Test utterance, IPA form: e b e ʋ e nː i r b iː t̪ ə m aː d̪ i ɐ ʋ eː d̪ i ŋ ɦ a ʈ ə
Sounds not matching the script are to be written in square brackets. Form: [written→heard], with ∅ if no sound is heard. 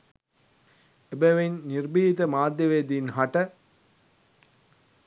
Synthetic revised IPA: e b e ʋ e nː i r b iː t̪ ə m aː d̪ [i→j] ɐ ʋ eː d̪ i [ŋ→n] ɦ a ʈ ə